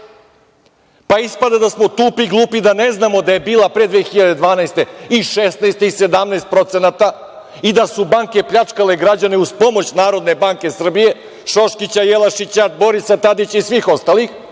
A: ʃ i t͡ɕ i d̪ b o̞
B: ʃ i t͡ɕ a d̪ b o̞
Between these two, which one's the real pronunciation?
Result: B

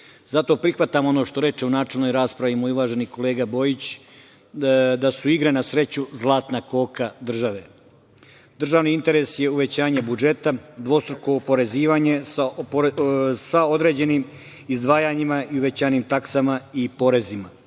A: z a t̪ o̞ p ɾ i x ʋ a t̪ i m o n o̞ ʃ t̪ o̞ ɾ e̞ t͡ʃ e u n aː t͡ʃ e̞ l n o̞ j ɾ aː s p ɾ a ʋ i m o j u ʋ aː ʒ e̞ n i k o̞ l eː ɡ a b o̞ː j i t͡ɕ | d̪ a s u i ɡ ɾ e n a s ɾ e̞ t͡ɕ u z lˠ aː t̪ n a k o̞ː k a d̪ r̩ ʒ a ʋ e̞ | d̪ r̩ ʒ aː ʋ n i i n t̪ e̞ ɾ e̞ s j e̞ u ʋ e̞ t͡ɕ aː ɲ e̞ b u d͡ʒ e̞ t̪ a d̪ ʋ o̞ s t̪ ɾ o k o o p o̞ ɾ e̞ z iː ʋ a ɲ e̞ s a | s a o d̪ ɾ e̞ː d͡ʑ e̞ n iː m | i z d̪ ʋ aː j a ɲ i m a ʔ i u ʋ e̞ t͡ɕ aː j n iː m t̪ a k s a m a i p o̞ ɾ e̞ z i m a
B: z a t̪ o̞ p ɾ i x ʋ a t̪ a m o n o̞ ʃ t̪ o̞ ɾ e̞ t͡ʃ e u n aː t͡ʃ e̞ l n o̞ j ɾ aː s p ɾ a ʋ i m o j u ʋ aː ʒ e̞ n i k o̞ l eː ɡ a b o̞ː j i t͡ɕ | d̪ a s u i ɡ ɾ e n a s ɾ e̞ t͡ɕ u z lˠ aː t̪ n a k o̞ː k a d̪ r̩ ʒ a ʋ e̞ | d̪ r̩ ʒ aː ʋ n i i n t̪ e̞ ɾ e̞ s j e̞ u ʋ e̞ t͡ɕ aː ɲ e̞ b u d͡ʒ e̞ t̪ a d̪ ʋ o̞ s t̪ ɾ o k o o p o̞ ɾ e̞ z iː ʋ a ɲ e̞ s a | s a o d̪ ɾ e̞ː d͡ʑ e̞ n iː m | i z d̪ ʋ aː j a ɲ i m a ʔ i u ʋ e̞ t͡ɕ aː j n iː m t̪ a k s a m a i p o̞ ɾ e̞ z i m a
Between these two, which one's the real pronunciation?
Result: B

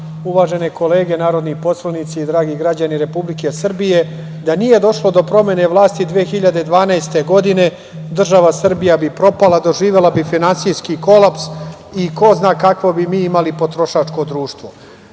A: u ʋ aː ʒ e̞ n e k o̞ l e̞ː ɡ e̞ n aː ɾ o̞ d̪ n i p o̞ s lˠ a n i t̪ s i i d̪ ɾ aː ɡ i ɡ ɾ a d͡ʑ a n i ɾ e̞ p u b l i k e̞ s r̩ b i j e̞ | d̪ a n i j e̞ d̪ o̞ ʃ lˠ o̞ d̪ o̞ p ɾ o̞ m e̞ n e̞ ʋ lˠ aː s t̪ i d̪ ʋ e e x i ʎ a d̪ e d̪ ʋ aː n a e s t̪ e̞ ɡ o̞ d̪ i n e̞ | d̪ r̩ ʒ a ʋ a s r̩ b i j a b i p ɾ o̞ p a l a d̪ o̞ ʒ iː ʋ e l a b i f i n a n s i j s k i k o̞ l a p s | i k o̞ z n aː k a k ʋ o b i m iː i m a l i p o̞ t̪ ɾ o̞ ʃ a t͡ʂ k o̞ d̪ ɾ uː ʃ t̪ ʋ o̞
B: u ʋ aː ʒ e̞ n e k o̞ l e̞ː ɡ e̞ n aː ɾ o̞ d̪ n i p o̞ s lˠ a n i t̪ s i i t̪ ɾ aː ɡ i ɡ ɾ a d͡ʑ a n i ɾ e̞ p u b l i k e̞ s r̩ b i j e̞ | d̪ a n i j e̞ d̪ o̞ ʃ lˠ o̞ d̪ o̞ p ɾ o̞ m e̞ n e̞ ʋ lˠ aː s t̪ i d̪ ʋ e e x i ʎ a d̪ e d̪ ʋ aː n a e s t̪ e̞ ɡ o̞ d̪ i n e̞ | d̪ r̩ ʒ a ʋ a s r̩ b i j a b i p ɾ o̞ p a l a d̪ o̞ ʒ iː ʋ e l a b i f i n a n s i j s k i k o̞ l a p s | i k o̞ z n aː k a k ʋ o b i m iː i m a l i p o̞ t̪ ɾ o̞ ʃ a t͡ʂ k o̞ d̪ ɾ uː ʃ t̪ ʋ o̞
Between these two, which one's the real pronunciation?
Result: A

